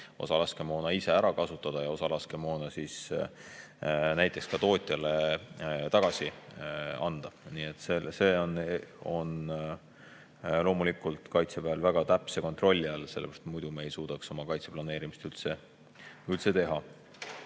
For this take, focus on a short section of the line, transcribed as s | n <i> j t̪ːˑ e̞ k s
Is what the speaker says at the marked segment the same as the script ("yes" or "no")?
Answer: no